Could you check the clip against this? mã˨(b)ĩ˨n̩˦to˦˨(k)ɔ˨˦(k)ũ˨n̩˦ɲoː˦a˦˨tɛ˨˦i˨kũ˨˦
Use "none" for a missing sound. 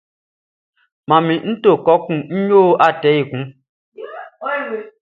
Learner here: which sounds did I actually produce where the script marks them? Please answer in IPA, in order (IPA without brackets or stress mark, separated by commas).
m, k, k